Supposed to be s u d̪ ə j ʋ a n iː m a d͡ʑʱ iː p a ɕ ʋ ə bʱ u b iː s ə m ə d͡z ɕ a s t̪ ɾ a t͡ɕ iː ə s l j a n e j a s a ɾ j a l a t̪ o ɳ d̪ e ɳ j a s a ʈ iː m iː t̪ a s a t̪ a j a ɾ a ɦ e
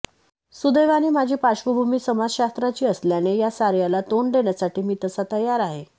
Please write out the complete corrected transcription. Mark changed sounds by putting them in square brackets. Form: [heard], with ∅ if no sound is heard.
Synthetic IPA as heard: s u d̪ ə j ʋ a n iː m a d͡ʑʱ iː p a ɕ ʋ ə bʱ u [m] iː s ə m [a] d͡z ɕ a s t̪ ɾ a t͡ɕ iː ə s l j a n e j a s a ɾ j a l a t̪ o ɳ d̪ e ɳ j a s a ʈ iː m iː t̪ [ə] s a t̪ [ə] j a ɾ a ɦ e